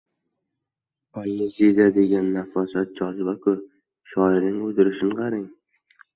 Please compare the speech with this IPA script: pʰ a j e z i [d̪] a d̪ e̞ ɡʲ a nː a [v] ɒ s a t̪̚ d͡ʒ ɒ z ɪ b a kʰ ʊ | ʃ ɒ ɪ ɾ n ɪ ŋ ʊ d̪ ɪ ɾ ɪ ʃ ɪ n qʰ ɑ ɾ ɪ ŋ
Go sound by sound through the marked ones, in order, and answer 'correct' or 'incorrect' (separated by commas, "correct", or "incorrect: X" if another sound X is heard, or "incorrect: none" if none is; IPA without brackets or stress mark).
correct, incorrect: f